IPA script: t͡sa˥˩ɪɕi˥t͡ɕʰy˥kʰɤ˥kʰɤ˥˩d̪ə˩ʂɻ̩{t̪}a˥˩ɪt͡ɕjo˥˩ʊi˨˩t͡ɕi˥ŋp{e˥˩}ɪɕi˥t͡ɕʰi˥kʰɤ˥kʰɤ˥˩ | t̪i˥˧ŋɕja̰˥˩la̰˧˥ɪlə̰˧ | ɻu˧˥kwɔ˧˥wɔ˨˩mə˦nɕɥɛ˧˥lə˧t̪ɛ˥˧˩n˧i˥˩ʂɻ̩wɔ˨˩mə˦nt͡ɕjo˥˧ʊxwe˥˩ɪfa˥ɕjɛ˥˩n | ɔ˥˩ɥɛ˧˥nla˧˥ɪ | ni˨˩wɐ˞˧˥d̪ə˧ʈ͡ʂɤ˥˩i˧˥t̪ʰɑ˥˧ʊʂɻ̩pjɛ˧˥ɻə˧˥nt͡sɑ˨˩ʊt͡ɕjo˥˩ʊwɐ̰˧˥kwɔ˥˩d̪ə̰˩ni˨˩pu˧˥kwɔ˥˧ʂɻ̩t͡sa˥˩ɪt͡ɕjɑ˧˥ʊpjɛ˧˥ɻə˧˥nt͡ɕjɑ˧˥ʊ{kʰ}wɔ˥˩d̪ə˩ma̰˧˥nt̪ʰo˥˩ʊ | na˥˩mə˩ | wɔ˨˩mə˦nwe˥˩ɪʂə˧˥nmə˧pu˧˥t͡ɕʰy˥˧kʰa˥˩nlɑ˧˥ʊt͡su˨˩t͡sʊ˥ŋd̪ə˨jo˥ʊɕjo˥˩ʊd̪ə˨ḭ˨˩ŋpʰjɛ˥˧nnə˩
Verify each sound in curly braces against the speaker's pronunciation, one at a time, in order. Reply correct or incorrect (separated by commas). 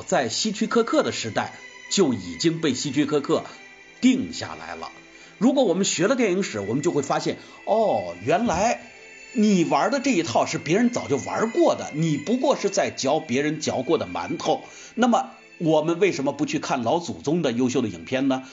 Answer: correct, correct, incorrect